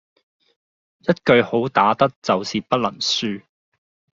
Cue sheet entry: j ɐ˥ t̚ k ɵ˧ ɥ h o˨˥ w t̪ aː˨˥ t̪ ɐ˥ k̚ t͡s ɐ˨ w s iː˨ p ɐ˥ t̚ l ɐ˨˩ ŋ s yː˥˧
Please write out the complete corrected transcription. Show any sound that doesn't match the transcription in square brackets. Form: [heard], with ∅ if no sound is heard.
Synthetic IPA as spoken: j ɐ˥ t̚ k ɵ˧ ɥ h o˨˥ w t̪ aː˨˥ t̪ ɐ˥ k̚ t͡s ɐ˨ w s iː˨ p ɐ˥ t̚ l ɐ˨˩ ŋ s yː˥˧